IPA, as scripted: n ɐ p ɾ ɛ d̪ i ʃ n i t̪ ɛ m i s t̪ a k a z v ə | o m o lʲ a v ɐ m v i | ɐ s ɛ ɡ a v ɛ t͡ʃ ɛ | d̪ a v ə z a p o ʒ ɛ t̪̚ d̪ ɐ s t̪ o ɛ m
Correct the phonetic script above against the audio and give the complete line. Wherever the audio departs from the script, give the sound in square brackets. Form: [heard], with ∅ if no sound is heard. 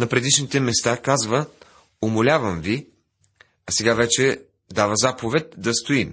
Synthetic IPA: n ɐ p ɾ ɛ d̪ i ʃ n i t̪ ɛ m [ɛ] s t̪ a k a z v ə | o m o lʲ a v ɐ m v i | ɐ s ɛ ɡ a v ɛ t͡ʃ ɛ | d̪ a v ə z a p o [v] ɛ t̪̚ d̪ ɐ s t̪ o [i] m